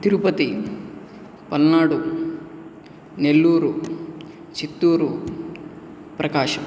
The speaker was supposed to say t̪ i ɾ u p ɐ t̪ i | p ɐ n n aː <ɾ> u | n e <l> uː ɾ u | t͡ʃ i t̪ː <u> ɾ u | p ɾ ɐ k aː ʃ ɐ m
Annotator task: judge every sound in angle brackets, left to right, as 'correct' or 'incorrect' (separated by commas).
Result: incorrect, incorrect, incorrect